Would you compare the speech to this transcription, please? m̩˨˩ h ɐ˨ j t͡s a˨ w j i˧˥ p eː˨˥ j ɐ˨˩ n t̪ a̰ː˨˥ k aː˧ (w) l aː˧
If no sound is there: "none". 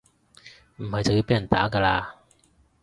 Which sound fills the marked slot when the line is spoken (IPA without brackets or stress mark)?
none